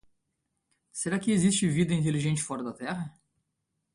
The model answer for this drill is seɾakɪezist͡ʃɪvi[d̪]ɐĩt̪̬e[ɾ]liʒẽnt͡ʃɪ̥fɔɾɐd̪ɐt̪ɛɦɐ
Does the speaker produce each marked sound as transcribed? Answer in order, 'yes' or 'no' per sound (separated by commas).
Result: yes, no